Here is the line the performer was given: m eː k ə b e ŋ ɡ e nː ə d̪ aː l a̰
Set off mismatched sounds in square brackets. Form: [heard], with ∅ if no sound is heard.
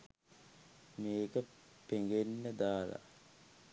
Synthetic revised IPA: m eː k ə [p] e ŋ ɡ e nː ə d̪ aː l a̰